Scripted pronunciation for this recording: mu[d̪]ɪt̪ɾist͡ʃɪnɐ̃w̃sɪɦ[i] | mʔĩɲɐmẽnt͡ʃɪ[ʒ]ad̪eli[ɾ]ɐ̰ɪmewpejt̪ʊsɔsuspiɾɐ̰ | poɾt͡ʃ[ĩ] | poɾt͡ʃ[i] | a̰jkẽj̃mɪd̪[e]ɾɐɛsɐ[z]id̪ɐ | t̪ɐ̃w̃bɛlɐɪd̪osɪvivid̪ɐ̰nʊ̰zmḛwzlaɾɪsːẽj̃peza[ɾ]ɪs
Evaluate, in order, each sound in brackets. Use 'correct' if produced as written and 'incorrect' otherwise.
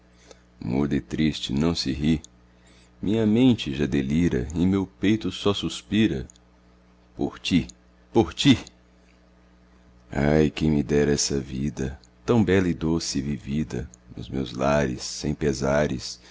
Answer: correct, correct, correct, correct, incorrect: i, correct, incorrect: ɛ, incorrect: v, correct

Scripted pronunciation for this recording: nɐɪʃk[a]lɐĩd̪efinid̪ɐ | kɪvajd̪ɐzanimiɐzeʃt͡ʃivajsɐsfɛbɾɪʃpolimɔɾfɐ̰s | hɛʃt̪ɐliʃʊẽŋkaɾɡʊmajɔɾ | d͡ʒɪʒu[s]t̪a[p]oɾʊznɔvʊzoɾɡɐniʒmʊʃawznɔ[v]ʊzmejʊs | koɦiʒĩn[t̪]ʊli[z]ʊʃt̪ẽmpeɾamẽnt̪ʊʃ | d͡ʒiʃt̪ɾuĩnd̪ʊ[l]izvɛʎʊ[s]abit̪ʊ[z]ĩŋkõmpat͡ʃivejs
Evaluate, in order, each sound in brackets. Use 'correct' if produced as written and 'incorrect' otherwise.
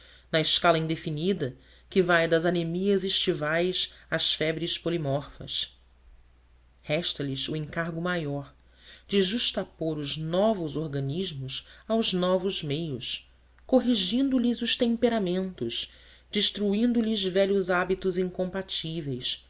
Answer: correct, incorrect: ʃ, correct, correct, incorrect: d̪, correct, correct, incorrect: z, correct

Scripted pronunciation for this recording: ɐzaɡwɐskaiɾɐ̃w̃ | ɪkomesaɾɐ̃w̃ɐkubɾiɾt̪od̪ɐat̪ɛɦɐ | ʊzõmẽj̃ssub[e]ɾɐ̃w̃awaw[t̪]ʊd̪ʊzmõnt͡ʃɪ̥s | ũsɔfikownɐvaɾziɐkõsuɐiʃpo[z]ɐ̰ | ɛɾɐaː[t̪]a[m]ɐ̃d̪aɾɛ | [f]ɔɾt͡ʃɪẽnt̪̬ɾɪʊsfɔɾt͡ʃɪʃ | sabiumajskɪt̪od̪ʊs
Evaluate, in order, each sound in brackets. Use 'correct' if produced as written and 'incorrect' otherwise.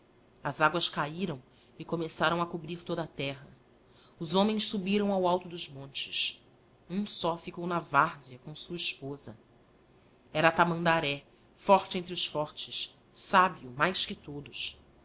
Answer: incorrect: i, correct, correct, correct, correct, correct

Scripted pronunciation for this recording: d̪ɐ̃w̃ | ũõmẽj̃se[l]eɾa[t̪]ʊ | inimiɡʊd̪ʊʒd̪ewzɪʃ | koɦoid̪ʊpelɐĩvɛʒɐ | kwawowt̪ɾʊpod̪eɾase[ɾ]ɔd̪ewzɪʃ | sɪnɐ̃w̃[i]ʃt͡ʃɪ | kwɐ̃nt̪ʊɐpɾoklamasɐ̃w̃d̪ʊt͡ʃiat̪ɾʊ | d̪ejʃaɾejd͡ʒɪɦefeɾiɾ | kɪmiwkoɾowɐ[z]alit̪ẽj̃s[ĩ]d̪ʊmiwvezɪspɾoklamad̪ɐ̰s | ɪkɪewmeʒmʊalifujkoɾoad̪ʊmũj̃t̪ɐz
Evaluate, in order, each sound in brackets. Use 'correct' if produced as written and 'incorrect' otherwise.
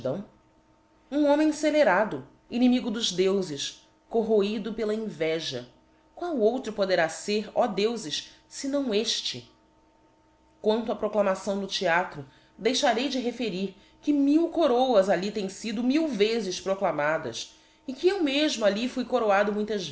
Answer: correct, incorrect: d̪, correct, incorrect: e, correct, incorrect: i

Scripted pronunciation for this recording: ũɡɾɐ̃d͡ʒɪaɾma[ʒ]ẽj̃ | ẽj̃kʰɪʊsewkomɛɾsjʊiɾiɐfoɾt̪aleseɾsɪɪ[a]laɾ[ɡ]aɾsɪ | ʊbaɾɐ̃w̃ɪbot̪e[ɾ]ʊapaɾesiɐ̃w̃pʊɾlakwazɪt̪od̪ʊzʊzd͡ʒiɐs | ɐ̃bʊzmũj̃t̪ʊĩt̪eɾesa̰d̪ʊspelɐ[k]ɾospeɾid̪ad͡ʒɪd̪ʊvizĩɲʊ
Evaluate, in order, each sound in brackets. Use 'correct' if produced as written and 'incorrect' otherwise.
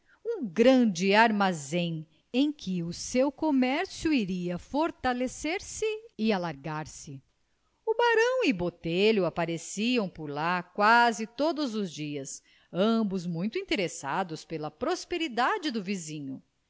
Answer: incorrect: z, correct, correct, incorrect: ʎ, incorrect: p

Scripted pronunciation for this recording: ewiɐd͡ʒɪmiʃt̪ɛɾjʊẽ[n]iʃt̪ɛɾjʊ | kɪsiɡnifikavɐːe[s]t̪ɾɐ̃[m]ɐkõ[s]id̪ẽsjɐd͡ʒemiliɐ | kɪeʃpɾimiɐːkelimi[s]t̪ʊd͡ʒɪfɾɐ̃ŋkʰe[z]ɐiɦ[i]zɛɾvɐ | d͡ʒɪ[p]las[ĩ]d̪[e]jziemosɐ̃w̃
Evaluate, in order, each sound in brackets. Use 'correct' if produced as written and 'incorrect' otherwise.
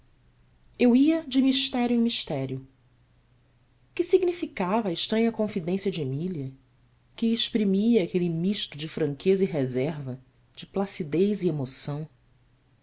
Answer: incorrect: m, incorrect: ʃ, incorrect: ɲ, incorrect: f, incorrect: ʃ, correct, incorrect: e, correct, incorrect: i, correct

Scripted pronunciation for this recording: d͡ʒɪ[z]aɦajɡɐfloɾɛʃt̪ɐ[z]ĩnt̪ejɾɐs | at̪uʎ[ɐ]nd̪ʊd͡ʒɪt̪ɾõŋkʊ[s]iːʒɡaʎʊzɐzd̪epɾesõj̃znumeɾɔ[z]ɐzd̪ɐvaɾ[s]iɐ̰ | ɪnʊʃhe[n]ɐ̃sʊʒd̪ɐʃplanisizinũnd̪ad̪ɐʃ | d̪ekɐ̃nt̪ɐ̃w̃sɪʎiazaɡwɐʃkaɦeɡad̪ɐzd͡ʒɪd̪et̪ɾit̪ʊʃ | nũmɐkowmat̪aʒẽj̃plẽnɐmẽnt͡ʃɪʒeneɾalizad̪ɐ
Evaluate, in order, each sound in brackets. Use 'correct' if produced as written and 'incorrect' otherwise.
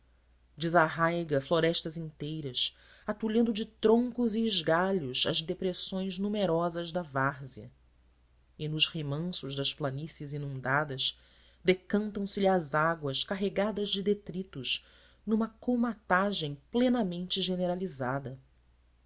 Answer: correct, correct, incorrect: ɐ̃, incorrect: z, correct, incorrect: z, incorrect: m

